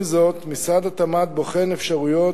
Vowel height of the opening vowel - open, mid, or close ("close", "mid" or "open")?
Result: mid